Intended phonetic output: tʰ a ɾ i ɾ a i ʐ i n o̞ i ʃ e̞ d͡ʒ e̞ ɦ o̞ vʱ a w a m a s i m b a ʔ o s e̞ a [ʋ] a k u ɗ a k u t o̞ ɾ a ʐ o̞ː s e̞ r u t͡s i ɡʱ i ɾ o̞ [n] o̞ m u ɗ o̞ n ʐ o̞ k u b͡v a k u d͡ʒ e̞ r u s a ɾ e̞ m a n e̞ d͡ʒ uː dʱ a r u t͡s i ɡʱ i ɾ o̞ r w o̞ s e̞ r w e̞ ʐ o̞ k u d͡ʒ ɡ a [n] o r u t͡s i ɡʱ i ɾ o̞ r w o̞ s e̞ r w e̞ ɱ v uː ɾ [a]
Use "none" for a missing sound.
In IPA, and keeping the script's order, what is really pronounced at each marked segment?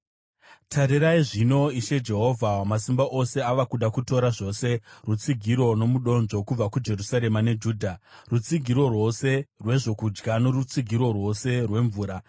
ʋ, n, n, a

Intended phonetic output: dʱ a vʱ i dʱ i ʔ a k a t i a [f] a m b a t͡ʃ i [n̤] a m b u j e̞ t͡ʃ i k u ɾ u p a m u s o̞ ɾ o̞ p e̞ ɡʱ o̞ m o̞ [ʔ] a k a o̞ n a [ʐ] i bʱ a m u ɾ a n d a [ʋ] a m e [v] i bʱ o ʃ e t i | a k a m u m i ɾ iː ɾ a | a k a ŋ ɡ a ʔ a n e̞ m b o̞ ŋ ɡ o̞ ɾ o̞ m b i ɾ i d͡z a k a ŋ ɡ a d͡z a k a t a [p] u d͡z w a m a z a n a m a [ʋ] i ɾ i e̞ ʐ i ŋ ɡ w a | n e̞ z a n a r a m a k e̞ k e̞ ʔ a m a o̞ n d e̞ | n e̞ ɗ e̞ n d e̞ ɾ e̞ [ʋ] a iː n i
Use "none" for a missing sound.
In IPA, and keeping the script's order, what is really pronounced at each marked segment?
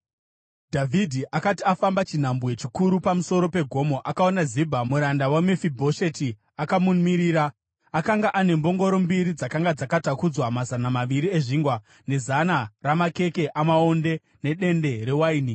f, n̤, ʔ, z, w, f, k, ʋ, w

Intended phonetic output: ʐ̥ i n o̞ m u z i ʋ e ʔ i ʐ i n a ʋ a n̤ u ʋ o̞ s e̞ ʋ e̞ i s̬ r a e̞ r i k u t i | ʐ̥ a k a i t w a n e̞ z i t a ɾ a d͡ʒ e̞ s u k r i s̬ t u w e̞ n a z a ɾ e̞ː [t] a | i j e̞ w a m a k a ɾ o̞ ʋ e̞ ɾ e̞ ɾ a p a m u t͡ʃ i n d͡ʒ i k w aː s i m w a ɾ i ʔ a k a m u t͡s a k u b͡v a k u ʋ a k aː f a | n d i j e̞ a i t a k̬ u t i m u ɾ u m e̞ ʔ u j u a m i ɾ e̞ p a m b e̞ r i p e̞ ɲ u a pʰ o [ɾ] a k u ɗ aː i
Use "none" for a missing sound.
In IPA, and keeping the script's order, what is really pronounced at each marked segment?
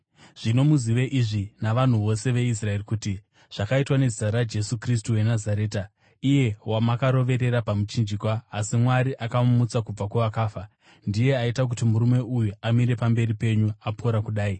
t, ɾ

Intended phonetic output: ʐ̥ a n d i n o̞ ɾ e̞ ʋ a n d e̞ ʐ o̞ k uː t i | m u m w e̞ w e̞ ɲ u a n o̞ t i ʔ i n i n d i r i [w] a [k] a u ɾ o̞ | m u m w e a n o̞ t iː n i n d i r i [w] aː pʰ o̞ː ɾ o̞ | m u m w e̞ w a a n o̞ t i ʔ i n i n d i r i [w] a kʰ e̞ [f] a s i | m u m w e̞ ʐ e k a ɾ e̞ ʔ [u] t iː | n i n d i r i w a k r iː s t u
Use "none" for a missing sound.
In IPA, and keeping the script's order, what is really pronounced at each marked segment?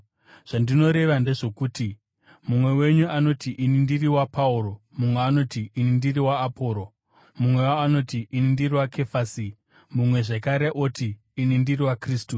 w, p, w, w, f, o

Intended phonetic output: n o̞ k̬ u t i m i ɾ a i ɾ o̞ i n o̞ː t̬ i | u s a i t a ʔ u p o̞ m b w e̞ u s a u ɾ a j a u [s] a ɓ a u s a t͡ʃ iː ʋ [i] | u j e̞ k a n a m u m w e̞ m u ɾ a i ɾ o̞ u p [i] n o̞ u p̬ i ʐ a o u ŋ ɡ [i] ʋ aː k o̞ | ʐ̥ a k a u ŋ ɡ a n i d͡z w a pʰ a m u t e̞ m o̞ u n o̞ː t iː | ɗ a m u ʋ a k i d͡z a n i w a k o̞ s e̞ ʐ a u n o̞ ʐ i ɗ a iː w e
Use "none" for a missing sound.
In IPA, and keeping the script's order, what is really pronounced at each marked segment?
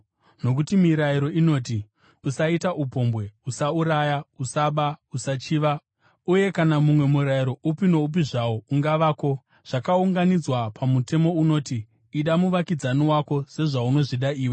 s, a, i, a

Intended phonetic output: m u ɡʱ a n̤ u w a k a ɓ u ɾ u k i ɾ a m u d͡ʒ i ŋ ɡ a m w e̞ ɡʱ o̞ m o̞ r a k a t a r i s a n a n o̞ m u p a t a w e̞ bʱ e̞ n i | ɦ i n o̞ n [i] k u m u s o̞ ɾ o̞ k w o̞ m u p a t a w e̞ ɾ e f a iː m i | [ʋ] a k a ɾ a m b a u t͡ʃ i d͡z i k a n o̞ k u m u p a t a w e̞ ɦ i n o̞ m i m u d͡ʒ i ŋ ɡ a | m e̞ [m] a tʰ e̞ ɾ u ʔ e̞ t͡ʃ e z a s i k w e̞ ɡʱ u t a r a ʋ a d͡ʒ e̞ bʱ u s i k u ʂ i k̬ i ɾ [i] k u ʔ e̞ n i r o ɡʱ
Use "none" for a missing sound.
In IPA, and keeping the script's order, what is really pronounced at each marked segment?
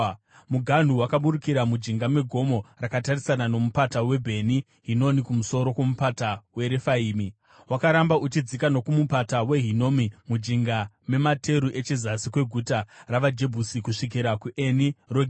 i, w, m, a

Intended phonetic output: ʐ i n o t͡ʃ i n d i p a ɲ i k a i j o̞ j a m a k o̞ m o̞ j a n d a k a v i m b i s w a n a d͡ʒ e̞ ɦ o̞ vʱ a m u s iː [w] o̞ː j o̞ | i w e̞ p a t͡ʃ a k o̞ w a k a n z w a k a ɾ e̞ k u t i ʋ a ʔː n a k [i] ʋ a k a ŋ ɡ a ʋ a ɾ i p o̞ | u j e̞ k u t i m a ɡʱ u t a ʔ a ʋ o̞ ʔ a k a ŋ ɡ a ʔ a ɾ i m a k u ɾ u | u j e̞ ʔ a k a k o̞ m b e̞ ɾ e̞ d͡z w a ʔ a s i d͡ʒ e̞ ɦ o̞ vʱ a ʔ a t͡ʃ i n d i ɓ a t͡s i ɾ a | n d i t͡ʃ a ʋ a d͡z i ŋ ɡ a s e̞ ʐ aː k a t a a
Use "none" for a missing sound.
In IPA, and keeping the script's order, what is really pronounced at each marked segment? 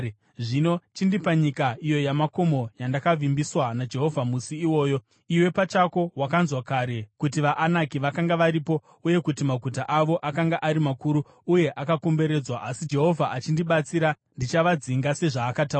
w, i

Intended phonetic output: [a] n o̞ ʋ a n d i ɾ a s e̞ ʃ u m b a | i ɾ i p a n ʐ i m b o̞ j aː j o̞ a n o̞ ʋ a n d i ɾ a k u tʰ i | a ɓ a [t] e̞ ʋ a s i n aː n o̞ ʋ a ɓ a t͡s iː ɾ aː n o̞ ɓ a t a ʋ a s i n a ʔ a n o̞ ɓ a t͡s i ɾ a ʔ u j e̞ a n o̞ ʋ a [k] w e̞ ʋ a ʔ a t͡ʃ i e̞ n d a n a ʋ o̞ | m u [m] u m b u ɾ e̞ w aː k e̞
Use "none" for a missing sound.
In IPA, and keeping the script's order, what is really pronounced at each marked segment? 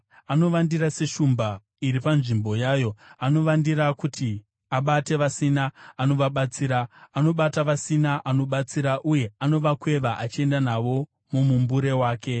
a, t, k, m

